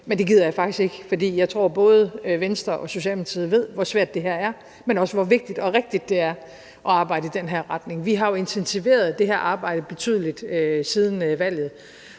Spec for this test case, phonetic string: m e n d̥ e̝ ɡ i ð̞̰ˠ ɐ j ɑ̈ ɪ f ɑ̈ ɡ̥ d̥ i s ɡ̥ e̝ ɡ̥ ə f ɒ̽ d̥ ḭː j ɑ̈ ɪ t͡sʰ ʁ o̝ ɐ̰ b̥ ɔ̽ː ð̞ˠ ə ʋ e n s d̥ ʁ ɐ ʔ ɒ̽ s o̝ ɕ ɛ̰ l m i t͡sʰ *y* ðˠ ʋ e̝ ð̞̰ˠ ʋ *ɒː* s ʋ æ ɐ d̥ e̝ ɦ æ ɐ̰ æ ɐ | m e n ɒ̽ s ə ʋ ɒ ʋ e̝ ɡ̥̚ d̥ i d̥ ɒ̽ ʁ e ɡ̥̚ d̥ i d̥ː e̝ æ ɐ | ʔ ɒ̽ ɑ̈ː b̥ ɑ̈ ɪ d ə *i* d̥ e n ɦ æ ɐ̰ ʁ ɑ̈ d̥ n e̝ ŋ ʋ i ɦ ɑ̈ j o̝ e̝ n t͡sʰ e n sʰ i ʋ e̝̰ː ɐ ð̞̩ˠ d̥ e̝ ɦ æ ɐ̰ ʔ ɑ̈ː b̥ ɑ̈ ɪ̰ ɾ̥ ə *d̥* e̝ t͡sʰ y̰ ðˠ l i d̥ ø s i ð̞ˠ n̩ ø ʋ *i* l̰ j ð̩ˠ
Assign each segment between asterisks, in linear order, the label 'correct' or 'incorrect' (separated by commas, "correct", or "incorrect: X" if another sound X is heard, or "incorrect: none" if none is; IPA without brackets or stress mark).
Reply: incorrect: i, incorrect: ɒ, correct, incorrect: b̥, incorrect: æ